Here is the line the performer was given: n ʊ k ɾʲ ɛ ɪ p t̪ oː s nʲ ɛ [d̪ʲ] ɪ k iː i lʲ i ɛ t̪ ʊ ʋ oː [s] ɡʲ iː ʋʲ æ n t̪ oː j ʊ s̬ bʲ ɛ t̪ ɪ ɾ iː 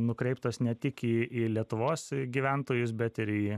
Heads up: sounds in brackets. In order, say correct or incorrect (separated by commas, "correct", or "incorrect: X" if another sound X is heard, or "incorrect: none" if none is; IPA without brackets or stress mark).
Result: incorrect: t̪ʲ, correct